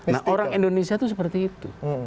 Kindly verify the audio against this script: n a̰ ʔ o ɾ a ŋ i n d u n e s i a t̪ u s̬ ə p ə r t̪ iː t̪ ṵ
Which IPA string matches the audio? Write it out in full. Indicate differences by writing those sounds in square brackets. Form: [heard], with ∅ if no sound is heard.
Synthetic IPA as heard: n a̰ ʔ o ɾ a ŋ i n d [o] n e s i a t̪ u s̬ ə p ə r t̪ iː t̪ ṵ